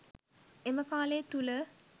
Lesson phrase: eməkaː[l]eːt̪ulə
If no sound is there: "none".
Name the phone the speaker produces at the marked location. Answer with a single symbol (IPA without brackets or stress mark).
l